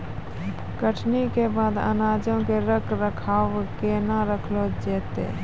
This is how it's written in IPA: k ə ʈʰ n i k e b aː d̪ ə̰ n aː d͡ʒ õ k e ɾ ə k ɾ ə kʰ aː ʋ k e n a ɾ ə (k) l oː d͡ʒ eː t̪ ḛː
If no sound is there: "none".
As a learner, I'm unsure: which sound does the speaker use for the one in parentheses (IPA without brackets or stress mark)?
kʰ